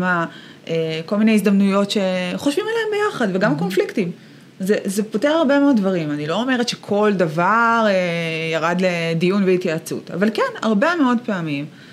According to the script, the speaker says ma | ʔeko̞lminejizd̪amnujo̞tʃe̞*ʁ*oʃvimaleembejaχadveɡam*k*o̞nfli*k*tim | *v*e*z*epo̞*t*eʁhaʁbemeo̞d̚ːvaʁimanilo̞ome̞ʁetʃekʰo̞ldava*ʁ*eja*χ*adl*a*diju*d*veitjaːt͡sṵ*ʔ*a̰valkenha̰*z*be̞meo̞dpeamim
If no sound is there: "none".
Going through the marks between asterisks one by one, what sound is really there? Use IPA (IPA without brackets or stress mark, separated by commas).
χ, k, k, z, z, t, ʁ, ʁ, e, n, t, ʁ